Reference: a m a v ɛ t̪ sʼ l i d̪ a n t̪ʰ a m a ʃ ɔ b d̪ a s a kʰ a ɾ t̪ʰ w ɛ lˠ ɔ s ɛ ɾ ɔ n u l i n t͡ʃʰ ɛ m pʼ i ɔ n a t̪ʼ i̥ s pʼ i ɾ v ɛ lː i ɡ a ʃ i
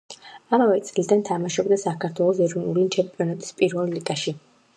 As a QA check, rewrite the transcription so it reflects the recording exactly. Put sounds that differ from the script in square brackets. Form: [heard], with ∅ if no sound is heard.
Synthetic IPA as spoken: a m a v ɛ t̪ sʼ l i d̪ a n t̪ʰ a m a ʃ ɔ b d̪ a s a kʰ a ɾ t̪ʰ w ɛ lˠ ɔ s ɛ ɾ ɔ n u l i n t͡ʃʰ ɛ m pʼ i ɔ n a t̪ʼ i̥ s pʼ i ɾ v ɛ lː i ɡ a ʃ i